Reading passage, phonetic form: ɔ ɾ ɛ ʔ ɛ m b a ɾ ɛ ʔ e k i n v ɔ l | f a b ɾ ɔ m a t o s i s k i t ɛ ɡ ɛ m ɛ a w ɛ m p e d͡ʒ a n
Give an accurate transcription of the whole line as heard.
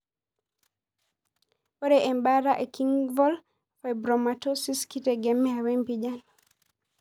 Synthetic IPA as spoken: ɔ ɾ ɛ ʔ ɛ m b a ɾ a ʔ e k i ŋ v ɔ l | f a b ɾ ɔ m a t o s i s k i t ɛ ɡ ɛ m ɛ a w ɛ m p i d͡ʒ a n